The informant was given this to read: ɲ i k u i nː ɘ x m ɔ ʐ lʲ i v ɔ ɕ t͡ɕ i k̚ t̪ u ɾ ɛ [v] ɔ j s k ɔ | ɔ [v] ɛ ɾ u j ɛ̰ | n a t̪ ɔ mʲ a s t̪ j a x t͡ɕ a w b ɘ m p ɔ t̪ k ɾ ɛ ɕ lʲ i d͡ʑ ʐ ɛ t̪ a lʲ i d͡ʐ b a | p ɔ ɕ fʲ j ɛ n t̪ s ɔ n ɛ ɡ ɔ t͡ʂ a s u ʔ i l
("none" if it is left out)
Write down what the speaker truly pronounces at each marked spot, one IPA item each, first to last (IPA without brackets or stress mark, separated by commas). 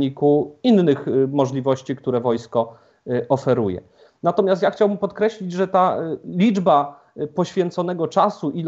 v, f